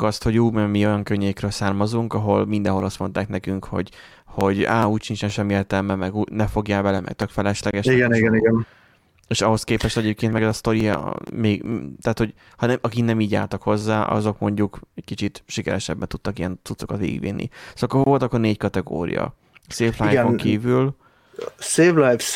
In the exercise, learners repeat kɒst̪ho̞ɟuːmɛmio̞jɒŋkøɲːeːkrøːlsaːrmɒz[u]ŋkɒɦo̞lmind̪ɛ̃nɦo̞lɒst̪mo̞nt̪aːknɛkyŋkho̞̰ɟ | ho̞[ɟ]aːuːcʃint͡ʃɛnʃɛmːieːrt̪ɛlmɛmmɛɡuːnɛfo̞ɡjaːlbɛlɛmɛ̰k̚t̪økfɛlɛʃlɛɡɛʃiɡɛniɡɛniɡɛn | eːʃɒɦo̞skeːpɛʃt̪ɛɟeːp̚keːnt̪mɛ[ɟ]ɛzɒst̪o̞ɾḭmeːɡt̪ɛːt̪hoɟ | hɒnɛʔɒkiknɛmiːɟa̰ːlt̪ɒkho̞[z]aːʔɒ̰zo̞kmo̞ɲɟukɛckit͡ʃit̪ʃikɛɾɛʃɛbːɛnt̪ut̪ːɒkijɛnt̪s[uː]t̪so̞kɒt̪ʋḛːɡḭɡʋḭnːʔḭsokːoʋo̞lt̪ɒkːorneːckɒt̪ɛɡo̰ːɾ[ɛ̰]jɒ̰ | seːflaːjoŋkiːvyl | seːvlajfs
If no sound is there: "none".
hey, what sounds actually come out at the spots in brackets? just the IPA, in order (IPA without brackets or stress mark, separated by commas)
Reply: u, ɟ, ɡ, zː, u, ḭ